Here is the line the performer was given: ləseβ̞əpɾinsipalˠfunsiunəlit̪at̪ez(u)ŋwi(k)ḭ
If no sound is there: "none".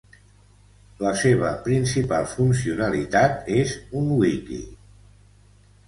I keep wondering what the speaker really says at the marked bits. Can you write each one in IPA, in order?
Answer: u, k

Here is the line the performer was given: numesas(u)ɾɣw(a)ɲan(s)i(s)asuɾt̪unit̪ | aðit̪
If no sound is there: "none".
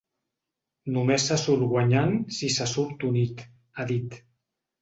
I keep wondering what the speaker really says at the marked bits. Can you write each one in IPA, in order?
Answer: u, a, s, s

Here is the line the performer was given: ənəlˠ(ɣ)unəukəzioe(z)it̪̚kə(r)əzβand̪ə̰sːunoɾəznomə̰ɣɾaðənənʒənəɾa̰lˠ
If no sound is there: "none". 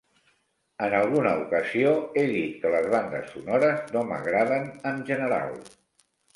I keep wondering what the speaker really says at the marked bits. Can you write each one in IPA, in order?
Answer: ɣ, ð, l

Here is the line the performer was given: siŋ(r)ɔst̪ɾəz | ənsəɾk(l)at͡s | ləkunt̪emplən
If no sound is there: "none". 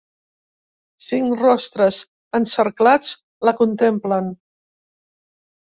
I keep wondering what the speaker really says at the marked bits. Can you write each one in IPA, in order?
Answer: r, l

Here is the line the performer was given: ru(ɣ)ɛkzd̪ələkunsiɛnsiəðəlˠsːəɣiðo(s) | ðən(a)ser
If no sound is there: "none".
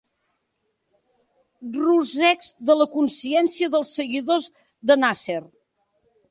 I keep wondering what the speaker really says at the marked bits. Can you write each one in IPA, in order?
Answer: z, z, a

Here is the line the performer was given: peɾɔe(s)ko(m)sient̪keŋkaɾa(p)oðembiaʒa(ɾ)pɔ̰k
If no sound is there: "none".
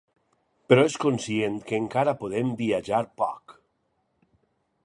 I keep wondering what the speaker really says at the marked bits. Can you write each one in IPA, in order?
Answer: s, n, p, ɾ

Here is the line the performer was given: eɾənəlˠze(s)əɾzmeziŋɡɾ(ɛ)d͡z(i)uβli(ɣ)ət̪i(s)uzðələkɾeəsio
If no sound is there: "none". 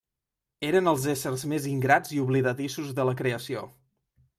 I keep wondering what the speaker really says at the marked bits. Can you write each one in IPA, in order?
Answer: s, a, i, ð, s

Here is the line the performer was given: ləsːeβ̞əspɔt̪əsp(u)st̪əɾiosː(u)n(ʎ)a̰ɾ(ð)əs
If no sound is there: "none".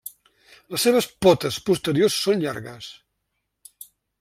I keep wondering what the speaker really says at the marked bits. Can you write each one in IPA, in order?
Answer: u, o, ʎ, ɣ

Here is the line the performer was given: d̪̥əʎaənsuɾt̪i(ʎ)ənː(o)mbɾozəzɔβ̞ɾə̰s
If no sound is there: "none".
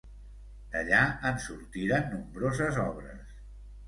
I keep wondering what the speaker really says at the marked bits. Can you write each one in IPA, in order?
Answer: ɾ, u

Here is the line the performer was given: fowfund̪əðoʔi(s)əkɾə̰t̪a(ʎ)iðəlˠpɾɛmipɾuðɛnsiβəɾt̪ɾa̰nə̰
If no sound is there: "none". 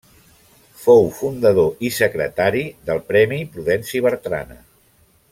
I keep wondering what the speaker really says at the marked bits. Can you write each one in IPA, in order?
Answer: s, ɾ

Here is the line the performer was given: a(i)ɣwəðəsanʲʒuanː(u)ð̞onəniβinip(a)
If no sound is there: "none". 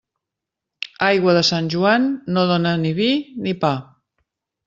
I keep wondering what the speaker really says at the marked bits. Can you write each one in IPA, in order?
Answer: j, o, a

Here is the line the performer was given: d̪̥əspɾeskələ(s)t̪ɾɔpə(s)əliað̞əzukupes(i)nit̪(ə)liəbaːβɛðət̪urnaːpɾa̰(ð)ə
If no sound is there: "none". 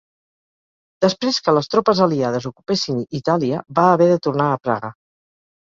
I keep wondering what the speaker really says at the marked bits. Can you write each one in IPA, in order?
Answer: s, z, i, a, ɣ

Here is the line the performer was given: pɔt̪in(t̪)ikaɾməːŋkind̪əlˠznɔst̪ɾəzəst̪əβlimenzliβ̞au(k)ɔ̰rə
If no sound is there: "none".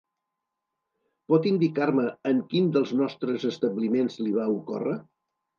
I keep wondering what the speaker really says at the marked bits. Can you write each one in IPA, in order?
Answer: d̪, k

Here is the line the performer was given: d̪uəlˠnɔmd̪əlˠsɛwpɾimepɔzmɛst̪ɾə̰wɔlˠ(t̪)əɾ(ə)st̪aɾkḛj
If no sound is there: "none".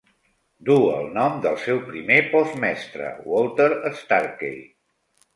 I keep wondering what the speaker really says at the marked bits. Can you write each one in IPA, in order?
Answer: t̪, ə

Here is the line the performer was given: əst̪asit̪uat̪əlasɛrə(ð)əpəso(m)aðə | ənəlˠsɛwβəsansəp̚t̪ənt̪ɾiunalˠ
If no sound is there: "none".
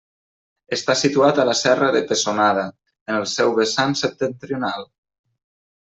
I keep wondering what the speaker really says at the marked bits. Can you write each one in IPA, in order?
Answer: ð, n

